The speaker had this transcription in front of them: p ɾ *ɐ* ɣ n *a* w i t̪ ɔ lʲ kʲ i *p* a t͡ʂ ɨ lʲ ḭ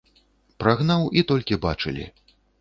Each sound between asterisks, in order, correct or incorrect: incorrect: a, correct, incorrect: b

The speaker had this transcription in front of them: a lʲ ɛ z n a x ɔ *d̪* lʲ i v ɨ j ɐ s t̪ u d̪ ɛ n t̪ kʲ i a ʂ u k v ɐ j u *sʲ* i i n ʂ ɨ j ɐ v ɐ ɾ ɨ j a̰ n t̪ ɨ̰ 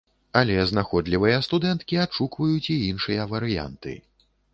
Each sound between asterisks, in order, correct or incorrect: correct, incorrect: t͡sʲ

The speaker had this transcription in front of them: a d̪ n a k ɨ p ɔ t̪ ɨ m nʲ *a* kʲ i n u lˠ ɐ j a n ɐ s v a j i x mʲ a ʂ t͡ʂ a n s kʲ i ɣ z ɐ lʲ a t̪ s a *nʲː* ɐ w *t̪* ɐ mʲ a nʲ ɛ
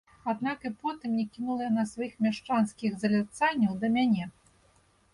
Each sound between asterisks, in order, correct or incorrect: incorrect: ɛ, correct, incorrect: d̪

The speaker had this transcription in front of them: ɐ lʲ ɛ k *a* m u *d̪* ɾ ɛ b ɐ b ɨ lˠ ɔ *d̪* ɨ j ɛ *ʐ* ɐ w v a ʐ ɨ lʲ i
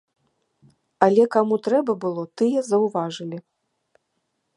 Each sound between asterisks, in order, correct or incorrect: correct, incorrect: t̪, incorrect: t̪, incorrect: z

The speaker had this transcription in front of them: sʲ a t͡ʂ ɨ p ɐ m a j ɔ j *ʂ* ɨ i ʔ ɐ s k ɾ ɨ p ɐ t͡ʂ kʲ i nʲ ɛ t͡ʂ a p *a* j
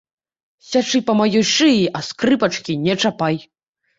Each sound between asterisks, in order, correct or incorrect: correct, correct

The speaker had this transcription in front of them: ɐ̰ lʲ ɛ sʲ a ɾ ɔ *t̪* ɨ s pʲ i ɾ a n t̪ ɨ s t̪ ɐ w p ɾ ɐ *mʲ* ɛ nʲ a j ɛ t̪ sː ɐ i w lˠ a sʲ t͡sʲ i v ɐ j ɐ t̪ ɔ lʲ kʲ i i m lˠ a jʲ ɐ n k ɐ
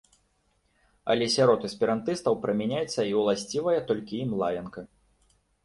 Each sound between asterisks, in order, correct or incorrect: correct, correct

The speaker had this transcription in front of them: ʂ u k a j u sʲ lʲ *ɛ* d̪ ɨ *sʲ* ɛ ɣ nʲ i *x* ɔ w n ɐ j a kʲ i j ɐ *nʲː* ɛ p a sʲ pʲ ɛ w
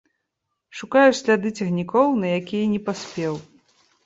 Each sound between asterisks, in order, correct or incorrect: incorrect: a, incorrect: t͡sʲ, incorrect: k, incorrect: nʲ

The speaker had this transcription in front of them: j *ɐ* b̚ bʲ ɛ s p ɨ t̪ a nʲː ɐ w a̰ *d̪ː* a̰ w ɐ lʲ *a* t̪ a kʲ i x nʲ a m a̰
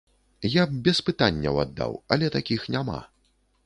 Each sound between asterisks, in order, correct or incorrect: incorrect: a, correct, incorrect: ɛ

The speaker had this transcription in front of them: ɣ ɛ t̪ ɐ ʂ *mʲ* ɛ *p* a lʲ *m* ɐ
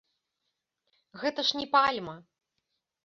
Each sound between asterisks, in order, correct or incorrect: incorrect: nʲ, correct, correct

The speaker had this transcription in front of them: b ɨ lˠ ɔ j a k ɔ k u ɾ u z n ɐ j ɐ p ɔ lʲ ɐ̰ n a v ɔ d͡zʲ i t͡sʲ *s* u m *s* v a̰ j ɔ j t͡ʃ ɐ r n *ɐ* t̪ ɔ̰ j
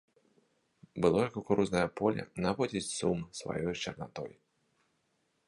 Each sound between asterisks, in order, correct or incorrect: correct, correct, incorrect: a

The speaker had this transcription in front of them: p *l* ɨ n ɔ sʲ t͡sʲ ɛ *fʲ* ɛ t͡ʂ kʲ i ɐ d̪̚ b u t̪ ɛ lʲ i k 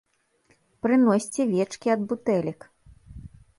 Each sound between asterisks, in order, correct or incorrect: incorrect: ɾ, incorrect: vʲ

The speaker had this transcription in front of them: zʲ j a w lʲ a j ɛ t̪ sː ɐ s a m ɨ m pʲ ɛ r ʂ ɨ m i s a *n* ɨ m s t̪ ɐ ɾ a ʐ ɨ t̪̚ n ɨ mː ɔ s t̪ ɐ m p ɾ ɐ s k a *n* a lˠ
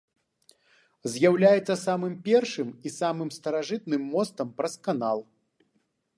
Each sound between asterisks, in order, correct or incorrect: incorrect: m, correct

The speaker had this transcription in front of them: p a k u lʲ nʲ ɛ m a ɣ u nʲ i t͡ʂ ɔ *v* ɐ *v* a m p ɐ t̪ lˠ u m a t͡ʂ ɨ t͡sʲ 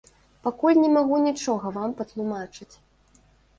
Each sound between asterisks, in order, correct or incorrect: incorrect: ɣ, correct

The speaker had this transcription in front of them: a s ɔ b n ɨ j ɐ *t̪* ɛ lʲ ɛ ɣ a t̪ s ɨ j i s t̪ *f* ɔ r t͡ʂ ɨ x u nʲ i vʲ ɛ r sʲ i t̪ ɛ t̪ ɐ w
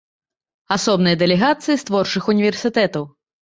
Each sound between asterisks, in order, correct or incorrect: incorrect: d̪, incorrect: v

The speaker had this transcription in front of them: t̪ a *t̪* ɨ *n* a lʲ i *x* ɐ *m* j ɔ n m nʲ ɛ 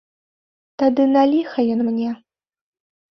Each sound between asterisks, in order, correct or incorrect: incorrect: d̪, correct, correct, incorrect: none

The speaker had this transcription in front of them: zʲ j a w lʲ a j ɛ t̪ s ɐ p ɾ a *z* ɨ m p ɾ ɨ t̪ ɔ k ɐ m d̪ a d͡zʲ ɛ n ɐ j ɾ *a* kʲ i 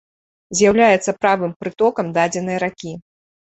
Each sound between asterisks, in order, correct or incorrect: incorrect: v, correct

